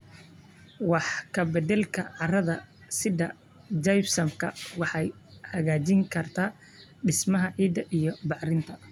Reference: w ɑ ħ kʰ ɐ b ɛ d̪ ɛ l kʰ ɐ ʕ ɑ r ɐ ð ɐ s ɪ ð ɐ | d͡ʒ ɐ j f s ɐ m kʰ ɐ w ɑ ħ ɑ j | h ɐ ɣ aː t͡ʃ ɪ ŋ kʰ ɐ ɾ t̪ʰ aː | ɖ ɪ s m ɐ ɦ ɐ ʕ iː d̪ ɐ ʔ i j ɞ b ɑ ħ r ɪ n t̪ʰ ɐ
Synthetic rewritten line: w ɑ ħ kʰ ɐ b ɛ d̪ ɛ l kʰ ɐ ʕ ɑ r ɐ ð ɐ s ɪ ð ɐ | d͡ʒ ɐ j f s ɐ m kʰ ɐ w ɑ ħ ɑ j | h ɐ ɣ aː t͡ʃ ɪ ŋ kʰ ɐ r t̪ʰ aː | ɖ ɪ s m ɐ ɦ ɐ ʕ iː d̪ ɐ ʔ i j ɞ b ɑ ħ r ɪ n t̪ʰ ɐ